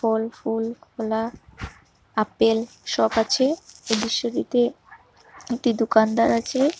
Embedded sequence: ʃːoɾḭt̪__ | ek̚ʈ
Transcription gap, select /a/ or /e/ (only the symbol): e